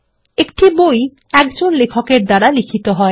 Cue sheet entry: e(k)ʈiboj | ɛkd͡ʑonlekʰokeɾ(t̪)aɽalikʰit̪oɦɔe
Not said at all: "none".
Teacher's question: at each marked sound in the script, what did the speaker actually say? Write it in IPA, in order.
k, d̪

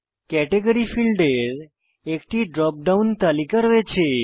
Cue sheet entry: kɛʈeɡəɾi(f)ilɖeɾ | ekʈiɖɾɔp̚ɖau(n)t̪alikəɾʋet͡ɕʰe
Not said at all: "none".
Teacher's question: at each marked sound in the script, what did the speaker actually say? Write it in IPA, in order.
f, n

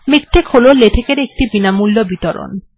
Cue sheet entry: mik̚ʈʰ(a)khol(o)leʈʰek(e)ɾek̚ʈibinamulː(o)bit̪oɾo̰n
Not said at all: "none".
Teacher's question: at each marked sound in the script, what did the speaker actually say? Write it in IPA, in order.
e, o, e, o

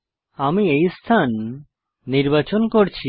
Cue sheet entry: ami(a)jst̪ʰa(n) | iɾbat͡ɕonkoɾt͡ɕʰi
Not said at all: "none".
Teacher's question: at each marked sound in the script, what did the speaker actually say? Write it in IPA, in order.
e, nː

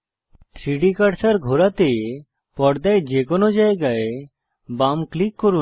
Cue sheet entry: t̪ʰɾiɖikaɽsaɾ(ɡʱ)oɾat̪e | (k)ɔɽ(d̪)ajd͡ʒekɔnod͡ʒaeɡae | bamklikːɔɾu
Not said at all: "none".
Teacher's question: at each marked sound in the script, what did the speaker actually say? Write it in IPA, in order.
ɡʱ, p, d̪

